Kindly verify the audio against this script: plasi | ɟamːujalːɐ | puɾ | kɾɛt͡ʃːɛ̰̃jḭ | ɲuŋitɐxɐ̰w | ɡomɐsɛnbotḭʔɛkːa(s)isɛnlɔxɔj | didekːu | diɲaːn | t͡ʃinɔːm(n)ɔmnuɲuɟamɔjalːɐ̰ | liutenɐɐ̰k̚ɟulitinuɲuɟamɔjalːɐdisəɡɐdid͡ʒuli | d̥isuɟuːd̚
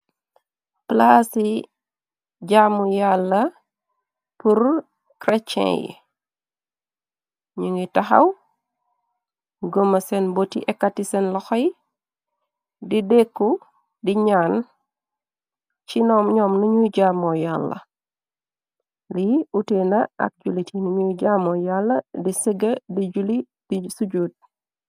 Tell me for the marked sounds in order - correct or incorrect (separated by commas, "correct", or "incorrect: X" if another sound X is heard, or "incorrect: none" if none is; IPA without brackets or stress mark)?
incorrect: t, incorrect: ɲ